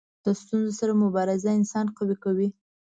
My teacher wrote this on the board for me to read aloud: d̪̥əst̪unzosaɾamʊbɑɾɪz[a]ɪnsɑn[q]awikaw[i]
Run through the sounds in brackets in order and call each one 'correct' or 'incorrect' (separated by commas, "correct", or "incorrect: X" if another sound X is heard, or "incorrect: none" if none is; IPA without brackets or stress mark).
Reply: correct, correct, correct